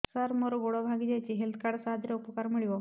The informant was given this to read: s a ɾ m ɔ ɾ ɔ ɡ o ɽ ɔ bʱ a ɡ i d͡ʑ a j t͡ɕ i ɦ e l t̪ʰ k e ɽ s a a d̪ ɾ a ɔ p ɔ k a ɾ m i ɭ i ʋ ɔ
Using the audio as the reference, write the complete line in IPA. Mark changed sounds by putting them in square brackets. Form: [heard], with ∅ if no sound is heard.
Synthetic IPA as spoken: s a ɾ m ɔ ɾ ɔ ɡ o ɽ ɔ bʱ a ɡ i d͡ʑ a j t͡ɕ i ɦ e l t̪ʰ k [a] ɽ s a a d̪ ɾ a [u] p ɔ k a ɾ m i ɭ i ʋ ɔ

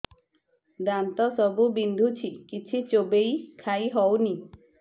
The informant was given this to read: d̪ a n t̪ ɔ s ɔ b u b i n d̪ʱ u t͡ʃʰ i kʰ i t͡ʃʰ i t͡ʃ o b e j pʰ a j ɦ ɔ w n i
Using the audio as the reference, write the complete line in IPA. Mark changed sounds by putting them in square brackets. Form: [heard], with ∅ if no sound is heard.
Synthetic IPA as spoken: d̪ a n t̪ ɔ s ɔ b u b i n d̪ʱ u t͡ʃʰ i [k] i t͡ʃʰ i t͡ʃ o b e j [kʰ] a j ɦ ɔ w n i

